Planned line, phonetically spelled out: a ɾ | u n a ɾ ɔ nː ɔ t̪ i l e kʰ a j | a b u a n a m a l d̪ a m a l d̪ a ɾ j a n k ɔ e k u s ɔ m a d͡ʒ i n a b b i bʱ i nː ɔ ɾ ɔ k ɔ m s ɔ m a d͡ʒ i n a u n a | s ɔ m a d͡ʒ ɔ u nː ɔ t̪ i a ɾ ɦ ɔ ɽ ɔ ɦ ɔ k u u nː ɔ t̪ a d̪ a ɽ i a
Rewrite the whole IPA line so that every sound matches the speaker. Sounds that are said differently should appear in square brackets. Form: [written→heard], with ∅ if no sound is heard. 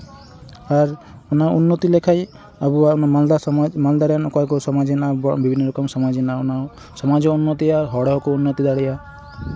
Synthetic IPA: a ɾ | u n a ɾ [ɔ→u] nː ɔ t̪ i l e kʰ a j | a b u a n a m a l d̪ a m a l d̪ a ɾ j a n k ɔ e k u s ɔ m a d͡ʒ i n a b b i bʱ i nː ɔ ɾ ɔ k ɔ m s ɔ m a d͡ʒ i n a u n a | s ɔ m a d͡ʒ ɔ u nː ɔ t̪ i a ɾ ɦ ɔ ɽ ɔ ɦ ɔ k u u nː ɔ t̪ [a→i] d̪ a ɽ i a

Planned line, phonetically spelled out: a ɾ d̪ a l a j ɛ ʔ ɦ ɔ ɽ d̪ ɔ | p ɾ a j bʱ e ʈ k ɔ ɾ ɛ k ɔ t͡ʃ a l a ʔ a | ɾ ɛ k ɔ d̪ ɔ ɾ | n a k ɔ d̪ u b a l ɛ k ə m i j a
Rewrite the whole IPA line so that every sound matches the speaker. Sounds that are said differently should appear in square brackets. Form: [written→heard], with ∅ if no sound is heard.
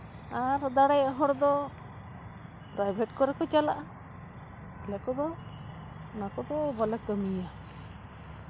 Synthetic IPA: a ɾ d̪ a [l→ɽ] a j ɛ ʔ ɦ ɔ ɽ d̪ ɔ | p ɾ a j bʱ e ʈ k ɔ ɾ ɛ k ɔ t͡ʃ a l a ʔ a | [ɾ→l] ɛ k ɔ d̪ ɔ [ɾ→∅] | n a k ɔ d̪ [u→ɔ] b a l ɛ k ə m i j a

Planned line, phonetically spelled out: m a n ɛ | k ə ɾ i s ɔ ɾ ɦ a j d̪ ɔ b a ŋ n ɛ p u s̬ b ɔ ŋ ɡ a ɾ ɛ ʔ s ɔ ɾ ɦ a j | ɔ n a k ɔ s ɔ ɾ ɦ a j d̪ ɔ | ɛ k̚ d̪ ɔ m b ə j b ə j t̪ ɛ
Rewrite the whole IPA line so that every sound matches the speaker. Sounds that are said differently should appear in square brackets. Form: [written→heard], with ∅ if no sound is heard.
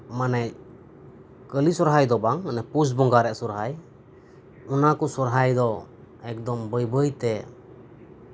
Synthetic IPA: m a n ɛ | k ə [ɾ→l] i s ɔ ɾ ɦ a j d̪ ɔ b a ŋ n ɛ p u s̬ b ɔ ŋ ɡ a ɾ ɛ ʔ s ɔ ɾ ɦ a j | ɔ n a k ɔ s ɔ ɾ ɦ a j d̪ ɔ | ɛ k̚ d̪ ɔ m b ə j b ə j t̪ ɛ

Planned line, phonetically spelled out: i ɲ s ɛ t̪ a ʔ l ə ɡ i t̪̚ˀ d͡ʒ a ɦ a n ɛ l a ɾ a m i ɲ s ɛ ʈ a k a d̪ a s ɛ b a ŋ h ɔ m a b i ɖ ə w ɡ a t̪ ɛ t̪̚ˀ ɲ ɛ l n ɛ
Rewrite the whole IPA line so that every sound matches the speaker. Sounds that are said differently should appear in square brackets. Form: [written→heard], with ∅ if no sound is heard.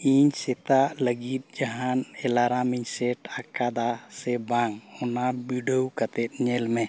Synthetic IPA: i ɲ s ɛ t̪ a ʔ l ə ɡ i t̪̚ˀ d͡ʒ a ɦ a n ɛ l a ɾ a m i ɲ s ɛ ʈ a k a d̪ a s ɛ b a ŋ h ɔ [m→n] a b i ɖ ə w [ɡ→k] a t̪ ɛ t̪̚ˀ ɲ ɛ l [n→m] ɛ

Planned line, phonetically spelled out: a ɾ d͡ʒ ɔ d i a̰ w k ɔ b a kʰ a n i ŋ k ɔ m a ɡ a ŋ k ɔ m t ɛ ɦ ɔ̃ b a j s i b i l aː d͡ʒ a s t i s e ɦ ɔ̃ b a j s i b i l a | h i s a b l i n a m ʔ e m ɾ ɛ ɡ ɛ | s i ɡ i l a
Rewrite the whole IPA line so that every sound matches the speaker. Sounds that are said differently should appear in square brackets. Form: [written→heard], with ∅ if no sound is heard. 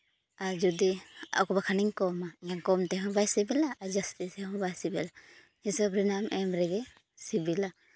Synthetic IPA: a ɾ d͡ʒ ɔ d i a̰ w k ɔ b a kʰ a n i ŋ k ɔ m a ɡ a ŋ k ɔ m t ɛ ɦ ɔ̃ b a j s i b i l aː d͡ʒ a s t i s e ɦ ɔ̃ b a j s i b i l a | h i s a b [l→ɾ] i n a m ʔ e m ɾ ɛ ɡ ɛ | s i [ɡ→b] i l a

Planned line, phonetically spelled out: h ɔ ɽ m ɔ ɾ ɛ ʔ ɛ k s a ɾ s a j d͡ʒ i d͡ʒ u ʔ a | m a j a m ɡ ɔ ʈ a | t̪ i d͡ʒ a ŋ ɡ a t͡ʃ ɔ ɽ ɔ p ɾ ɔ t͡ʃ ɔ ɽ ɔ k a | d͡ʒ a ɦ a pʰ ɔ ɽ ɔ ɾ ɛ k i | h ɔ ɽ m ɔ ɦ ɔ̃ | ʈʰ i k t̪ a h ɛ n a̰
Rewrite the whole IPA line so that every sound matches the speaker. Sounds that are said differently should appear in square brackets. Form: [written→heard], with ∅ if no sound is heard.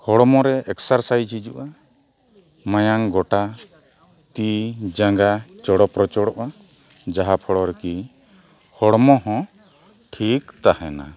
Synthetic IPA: h ɔ ɽ m ɔ ɾ ɛ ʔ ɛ k s a ɾ s a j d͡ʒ i d͡ʒ u ʔ a | m a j a [m→ŋ] ɡ ɔ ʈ a | t̪ i d͡ʒ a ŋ ɡ a t͡ʃ ɔ ɽ ɔ p ɾ ɔ t͡ʃ ɔ ɽ ɔ [k→ʔ] a | d͡ʒ a ɦ a pʰ ɔ ɽ ɔ ɾ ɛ k i | h ɔ ɽ m ɔ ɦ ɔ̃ | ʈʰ i k t̪ a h ɛ n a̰

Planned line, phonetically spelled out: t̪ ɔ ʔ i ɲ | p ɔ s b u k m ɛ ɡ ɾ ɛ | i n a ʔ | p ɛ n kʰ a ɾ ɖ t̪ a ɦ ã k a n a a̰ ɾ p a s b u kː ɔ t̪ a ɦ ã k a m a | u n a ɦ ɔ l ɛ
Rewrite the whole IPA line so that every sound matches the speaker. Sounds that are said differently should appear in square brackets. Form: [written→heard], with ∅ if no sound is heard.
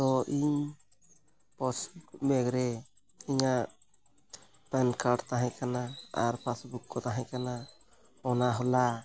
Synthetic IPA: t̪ ɔ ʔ i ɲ | p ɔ s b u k m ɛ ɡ ɾ ɛ | i [n→ɲ] a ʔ | p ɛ n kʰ a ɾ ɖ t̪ a ɦ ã k a n a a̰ ɾ p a s b u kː ɔ t̪ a ɦ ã k a [m→n] a | [u→ɔ] n a ɦ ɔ l [ɛ→a]

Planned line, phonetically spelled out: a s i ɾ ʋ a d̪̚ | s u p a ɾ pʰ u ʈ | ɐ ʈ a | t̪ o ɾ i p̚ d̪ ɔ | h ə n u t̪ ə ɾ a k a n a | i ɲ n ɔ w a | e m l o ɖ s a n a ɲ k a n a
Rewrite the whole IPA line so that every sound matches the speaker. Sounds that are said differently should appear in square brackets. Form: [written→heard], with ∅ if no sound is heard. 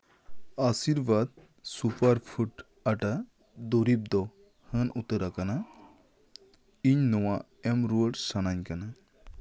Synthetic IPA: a s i ɾ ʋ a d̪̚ | s u p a ɾ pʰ u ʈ | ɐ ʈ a | [t̪→d̪] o ɾ i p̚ d̪ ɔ | h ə n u t̪ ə ɾ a k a n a | i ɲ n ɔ w a | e m [l→ɾ] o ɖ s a n a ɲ k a n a

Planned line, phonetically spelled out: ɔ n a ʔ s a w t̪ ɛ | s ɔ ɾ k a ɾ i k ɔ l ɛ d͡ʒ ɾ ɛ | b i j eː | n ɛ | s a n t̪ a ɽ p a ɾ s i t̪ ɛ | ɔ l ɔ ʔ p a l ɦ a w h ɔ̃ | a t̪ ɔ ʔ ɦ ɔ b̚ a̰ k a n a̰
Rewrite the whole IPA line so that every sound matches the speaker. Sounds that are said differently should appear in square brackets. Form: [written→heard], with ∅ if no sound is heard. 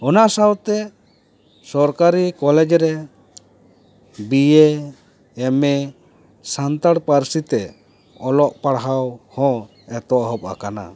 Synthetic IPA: ɔ n a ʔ s a w t̪ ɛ | s ɔ ɾ k a ɾ i k ɔ l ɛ d͡ʒ ɾ ɛ | b i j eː | [n→m] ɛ | s a n t̪ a ɽ p a ɾ s i t̪ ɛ | ɔ l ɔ ʔ p a [l→ɽ] ɦ a w h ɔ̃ | [a→ɛ] t̪ ɔ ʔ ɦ ɔ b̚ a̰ k a n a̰

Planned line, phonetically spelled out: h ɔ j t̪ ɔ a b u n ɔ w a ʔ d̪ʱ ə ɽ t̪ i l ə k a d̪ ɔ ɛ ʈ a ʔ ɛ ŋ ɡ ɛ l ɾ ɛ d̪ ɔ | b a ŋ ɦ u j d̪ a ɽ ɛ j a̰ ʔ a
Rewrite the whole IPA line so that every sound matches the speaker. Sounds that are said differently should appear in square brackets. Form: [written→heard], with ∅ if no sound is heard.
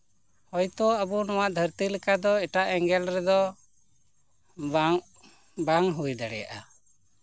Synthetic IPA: h ɔ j t̪ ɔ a b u n ɔ w a ʔ d̪ʱ ə [ɽ→ɾ] t̪ i l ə k a d̪ ɔ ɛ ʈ a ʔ ɛ ŋ ɡ ɛ l ɾ ɛ d̪ ɔ | b a ŋ ɦ u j d̪ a ɽ ɛ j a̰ ʔ a

